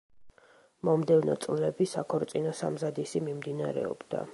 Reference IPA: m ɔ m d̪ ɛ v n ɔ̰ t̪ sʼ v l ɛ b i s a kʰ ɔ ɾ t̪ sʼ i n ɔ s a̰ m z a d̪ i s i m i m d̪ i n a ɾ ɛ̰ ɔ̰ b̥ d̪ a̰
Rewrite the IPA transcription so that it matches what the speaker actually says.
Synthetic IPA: m ɔ m d̪ ɛ v n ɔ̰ t̪ sʼ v l ɛ b i s a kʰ ɔ ɾ t̪ sʼ i n ɔ s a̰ m z a d̪ i s i m i m d̪ i n a ɾ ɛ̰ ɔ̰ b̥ d̪ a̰

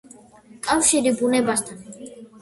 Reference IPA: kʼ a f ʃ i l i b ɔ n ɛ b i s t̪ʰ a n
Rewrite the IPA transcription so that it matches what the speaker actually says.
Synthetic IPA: kʼ a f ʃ i ɾ i b u n ɛ b a s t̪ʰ a n

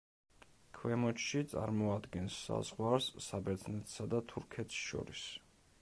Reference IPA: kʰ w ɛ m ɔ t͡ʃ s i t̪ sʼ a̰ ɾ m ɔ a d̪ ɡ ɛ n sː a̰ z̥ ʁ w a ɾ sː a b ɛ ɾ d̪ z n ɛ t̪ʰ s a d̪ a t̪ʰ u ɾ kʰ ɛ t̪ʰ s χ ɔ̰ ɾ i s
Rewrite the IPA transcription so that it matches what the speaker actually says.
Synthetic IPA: kʰ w ɛ m ɔ t͡ʃ ʃ i t̪ sʼ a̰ ɾ m ɔ a d̪ ɡ ɛ n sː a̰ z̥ ʁ w a ɾ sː a b ɛ ɾ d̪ z n ɛ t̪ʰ s a d̪ a t̪ʰ u ɾ kʰ ɛ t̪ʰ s ʃ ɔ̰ ɾ i s

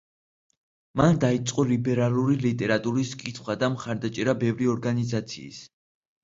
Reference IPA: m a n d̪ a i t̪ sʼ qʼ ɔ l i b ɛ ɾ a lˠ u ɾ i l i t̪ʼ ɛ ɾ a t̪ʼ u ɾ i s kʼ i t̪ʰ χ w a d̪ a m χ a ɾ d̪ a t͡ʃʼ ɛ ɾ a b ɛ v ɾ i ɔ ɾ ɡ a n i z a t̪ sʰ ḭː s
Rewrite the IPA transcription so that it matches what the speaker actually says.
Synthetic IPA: m a n d̪ a i t̪ sʼ qʼ ɔ l i b ɛ ɾ a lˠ u ɾ i l i t̪ʼ ɛ ɾ a t̪ʼ u ɾ i s kʼ i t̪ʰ χ w a d̪ a m χ a ɾ d̪ a t͡ʃʼ ɛ ɾ a b ɛ v ɾ i ɔ ɾ ɡ a n i z a t̪ sʰ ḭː s

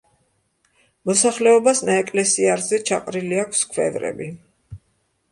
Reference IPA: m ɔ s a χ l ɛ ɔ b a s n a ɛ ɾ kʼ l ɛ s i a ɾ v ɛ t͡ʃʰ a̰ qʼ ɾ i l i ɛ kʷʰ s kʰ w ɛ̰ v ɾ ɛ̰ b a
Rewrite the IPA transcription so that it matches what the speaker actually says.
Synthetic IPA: m ɔ s a χ l ɛ ɔ b a s n a ɛ kʼ l ɛ s i a ɾ z ɛ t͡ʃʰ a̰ qʼ ɾ i l i a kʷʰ s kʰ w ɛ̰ v ɾ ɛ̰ b i

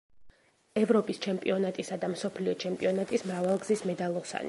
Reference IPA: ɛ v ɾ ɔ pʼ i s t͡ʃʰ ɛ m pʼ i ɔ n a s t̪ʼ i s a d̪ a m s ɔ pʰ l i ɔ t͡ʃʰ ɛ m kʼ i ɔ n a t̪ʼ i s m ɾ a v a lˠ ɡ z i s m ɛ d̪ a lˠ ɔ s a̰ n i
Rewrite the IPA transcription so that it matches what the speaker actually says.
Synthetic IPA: ɛ v ɾ ɔ pʼ i s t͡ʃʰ ɛ m pʼ i ɔ n a t̪ʼ i s a d̪ a m s ɔ pʰ l i ɔ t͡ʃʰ ɛ m pʼ i ɔ n a t̪ʼ i s m ɾ a v a lˠ ɡ z i s m ɛ d̪ a lˠ ɔ s a̰ n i

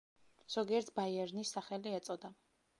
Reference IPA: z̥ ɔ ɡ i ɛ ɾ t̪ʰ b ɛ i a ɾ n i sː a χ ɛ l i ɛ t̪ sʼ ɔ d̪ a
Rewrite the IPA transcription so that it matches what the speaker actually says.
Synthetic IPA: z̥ ɔ ɡ i ɛ ɾ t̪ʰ b a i ɛ ɾ n i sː a χ ɛ l i ɛ t̪ sʼ ɔ d̪ a

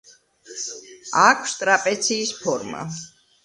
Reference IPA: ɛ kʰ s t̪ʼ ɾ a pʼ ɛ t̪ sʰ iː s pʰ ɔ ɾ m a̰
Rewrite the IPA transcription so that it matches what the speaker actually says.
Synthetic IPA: a kʰ s t̪ʼ ɾ a pʼ ɛ t̪ sʰ iː s pʰ ɔ ɾ m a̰

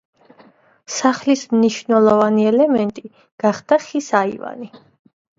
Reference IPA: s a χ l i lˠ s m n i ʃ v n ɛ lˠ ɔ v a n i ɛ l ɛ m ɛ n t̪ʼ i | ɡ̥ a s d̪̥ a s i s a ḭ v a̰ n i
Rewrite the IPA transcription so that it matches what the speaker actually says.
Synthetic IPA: s a χ l i s m n i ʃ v n ɛ lˠ ɔ v a n i ɛ l ɛ m ɛ n t̪ʼ i | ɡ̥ a χ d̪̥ a χ i s a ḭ v a̰ n i

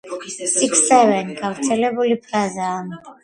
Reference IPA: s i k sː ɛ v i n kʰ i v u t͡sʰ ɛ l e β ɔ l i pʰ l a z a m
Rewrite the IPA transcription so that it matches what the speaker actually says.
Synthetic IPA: s i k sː ɛ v ɛ n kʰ a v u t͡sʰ ɛ l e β u l i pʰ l a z a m

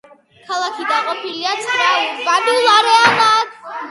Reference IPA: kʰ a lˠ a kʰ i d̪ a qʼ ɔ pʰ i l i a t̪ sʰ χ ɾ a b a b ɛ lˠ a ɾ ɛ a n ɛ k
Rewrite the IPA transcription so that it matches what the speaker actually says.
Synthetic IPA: kʰ a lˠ a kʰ i d̪ a qʼ ɔ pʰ i l i a t̪ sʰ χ ɾ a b a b i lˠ a ɾ ɛ a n a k

